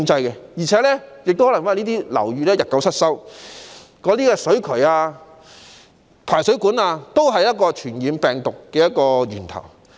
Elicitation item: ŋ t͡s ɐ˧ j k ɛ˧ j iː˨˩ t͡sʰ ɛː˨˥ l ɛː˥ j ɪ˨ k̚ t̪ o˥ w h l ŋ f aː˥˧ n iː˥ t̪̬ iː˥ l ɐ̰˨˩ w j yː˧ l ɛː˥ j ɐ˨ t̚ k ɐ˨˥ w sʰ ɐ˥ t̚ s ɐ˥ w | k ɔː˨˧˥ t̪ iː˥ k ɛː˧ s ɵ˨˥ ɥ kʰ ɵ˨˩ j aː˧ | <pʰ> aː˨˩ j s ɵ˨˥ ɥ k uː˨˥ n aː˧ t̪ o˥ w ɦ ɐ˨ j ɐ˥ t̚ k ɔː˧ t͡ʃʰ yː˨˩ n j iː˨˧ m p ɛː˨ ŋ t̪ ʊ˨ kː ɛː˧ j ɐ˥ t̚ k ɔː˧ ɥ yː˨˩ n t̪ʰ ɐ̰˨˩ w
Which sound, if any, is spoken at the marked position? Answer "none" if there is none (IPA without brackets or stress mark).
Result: pʰ